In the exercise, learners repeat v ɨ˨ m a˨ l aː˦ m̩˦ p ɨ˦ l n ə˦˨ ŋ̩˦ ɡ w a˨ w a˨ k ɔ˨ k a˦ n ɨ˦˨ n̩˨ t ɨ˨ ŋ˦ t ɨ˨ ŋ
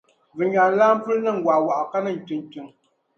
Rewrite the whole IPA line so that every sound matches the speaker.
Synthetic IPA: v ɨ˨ ɲ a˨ l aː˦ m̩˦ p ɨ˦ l n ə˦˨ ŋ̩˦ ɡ w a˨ w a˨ ʔ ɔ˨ k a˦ n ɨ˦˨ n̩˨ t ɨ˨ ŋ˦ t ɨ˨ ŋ